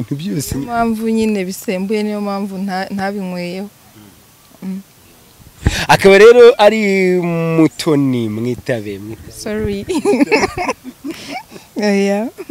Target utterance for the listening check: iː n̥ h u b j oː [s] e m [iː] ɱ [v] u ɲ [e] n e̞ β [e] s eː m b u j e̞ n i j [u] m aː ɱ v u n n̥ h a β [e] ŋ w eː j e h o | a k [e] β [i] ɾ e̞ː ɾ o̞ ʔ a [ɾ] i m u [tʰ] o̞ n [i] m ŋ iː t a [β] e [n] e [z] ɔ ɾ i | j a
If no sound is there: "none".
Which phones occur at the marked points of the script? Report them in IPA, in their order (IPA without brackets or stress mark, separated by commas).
s, aː, v, i, i, o, i, a, a, ɾ, tʰ, i, β, m, s